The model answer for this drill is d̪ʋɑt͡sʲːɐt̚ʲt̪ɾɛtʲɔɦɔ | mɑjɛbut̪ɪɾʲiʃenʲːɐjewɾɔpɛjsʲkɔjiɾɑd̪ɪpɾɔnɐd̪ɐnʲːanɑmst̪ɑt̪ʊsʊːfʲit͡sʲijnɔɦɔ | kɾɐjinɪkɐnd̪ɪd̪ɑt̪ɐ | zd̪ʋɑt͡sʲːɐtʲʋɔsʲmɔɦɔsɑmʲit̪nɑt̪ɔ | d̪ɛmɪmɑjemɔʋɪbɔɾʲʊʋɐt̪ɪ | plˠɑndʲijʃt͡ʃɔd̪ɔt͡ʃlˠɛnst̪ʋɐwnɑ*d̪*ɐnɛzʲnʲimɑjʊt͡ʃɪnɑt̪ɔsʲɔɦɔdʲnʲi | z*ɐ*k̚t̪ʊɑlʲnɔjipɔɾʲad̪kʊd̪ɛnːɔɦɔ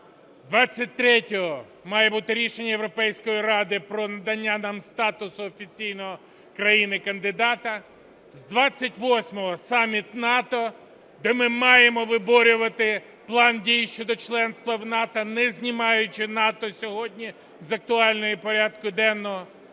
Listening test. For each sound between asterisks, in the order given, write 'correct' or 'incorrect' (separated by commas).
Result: incorrect, correct